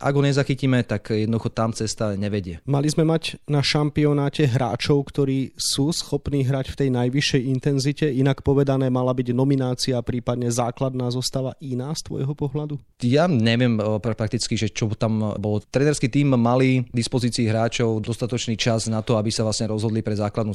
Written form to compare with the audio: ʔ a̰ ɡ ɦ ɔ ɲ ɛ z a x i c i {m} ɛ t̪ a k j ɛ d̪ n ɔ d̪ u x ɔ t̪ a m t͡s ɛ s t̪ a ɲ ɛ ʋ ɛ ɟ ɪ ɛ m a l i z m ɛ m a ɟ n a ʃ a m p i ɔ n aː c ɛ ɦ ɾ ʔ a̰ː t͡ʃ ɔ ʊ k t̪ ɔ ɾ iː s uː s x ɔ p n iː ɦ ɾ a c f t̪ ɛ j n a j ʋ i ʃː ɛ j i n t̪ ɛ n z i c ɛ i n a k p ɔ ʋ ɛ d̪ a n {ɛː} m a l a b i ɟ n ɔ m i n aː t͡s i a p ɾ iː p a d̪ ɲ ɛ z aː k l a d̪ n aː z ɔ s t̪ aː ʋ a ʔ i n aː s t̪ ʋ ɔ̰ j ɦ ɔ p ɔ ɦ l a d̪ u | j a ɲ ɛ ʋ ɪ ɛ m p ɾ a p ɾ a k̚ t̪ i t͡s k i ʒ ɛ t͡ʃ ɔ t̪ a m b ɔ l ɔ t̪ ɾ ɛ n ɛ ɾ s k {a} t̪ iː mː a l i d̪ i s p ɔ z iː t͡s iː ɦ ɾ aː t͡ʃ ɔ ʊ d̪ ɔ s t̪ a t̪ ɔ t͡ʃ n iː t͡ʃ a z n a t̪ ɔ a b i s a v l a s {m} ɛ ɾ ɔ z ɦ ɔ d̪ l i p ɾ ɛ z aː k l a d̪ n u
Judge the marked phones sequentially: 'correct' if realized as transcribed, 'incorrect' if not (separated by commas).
correct, correct, incorrect, incorrect